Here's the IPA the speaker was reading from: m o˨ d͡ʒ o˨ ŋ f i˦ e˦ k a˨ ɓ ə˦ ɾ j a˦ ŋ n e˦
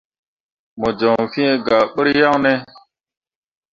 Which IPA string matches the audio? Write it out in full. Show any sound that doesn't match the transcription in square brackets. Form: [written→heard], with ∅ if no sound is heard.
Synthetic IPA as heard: m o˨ d͡ʒ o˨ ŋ f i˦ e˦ [k→ɡ] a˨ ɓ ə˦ ɾ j a˦ ŋ n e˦